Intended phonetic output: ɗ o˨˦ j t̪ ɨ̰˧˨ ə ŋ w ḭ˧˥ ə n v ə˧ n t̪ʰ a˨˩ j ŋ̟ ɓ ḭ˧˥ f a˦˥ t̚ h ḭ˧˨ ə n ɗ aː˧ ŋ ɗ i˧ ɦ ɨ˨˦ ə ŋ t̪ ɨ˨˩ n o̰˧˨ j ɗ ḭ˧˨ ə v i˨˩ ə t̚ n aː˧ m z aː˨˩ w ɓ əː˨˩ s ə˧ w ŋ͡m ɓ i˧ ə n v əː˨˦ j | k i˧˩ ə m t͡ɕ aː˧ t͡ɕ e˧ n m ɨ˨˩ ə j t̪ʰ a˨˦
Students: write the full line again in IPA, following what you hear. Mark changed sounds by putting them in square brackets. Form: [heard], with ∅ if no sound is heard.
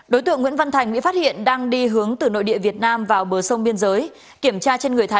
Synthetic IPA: ɗ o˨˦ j t̪ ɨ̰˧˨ ə ŋ w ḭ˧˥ ə n v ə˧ n t̪ʰ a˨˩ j ŋ̟ ɓ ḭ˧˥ f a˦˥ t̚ h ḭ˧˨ ə n ɗ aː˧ ŋ ɗ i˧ ɦ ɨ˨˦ ə ŋ t̪ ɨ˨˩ n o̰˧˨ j ɗ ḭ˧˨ ə v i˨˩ ə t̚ n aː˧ m [v] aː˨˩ w ɓ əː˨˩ s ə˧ w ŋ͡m ɓ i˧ ə n [z] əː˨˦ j | k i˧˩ ə m t͡ɕ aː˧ t͡ɕ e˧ n [ŋ] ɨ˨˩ ə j t̪ʰ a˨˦